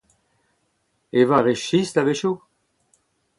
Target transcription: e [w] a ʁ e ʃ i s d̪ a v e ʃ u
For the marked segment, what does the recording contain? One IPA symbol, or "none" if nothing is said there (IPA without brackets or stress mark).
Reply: v